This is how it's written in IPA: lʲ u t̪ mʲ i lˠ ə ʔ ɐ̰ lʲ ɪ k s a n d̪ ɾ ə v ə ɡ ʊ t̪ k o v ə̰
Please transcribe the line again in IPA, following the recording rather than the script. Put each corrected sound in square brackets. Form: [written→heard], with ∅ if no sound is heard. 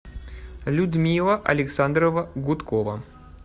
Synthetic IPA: lʲ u [t̪→d̪] mʲ i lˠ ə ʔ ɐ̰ lʲ ɪ k s a n d̪ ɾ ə v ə ɡ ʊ t̪ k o v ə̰

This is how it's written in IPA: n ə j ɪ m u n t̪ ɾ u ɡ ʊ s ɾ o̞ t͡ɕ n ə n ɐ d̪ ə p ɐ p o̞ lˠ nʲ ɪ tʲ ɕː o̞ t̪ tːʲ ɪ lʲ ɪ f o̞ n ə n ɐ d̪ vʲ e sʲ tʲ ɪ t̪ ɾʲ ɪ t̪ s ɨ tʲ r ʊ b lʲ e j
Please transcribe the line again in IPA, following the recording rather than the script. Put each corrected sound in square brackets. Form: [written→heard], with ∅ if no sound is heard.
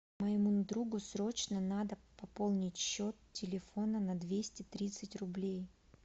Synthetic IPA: [n→m] ə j ɪ m u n [t̪→d̪] ɾ u ɡ ʊ s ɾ o̞ t͡ɕ n ə n [ɐ→a] d̪ ə p ɐ p o̞ lˠ nʲ ɪ tʲ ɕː o̞ t̪ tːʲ ɪ lʲ ɪ f o̞ n ə n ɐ d̪ vʲ e sʲ tʲ ɪ t̪ ɾʲ [ɪ→i] t̪ s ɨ tʲ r ʊ b lʲ e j

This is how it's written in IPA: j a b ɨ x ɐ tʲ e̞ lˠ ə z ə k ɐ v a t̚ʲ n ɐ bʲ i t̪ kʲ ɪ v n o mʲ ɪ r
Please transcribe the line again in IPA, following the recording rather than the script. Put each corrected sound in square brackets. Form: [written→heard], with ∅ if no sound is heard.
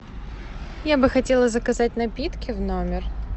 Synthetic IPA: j a b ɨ x ɐ tʲ e̞ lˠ ə z ə k ɐ [v→z] a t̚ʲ n ɐ [bʲ→pʲ] i t̪ kʲ ɪ v n o mʲ ɪ r

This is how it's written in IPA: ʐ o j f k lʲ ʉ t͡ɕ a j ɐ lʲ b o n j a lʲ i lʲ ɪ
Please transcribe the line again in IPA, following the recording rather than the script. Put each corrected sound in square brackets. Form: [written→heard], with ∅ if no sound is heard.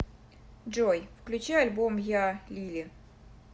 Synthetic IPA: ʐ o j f k lʲ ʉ t͡ɕ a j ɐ lʲ b o [n→m] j a lʲ i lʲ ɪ

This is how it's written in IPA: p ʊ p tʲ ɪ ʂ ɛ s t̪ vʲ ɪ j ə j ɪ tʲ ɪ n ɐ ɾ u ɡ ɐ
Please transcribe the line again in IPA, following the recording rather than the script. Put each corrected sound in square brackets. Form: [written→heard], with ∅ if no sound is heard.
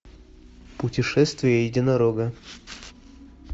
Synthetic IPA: p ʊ [p→∅] tʲ ɪ ʂ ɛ s t̪ vʲ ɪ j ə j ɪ [tʲ→dʲ] ɪ n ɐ ɾ [u→o] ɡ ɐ

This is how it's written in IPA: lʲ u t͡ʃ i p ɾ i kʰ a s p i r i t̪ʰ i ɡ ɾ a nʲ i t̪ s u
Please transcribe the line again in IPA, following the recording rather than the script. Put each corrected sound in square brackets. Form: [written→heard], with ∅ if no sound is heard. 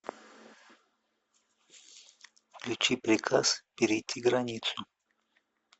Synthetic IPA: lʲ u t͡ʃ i p ɾ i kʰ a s p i [r→ɾ] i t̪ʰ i ɡ ɾ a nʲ i t̪ s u

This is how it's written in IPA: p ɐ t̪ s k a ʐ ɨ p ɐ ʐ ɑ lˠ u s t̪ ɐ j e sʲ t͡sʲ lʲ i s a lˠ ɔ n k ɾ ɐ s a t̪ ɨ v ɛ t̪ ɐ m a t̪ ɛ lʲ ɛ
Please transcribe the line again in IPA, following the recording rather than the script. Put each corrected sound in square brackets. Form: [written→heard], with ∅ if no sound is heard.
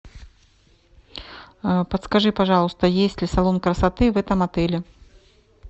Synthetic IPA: p ɐ t̪ s k a ʐ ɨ p [ɐ→a] ʐ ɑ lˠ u s t̪ ɐ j e sʲ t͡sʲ lʲ i s a lˠ ɔ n k ɾ ɐ s a t̪ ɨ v ɛ t̪ ɐ m a t̪ ɛ lʲ ɛ

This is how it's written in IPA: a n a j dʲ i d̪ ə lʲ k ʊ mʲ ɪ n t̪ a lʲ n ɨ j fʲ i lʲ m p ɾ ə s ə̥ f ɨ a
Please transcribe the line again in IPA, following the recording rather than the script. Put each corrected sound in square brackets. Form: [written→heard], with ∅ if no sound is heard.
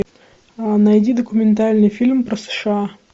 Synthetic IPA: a n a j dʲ i d̪ ə [lʲ→∅] k ʊ mʲ ɪ n t̪ a lʲ n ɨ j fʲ i lʲ m p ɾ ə s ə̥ [f→ʂ] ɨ a

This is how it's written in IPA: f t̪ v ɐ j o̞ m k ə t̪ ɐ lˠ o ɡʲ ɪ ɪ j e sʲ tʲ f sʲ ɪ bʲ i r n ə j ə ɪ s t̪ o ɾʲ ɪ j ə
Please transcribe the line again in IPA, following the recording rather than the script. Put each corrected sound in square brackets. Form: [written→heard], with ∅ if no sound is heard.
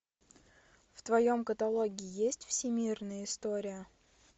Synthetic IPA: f t̪ v ɐ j o̞ m k ə t̪ ɐ lˠ o ɡʲ ɪ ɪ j e sʲ tʲ f sʲ ɪ [bʲ→mʲ] i r n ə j ə ɪ s t̪ o ɾʲ ɪ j ə

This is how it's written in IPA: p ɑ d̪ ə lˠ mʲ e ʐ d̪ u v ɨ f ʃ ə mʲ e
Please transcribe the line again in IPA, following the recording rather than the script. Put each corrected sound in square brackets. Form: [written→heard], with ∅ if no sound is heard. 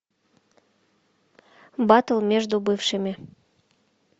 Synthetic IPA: [p→b] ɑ [d̪→t̪] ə lˠ mʲ e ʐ d̪ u [v→b] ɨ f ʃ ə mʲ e

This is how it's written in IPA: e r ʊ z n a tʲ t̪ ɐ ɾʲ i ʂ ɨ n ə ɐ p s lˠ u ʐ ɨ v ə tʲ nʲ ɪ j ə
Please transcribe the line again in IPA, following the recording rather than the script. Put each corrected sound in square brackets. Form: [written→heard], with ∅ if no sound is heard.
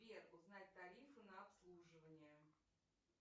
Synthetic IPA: e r ʊ z n a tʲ t̪ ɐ ɾʲ i [ʂ→f] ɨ n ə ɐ p s lˠ u ʐ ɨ v ə [tʲ→∅] nʲ ɪ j ə

